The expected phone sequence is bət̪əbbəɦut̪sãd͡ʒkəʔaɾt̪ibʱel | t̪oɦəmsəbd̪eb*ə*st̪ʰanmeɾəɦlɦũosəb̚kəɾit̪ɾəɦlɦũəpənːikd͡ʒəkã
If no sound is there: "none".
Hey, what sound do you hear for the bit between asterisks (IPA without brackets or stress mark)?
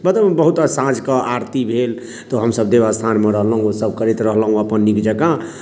a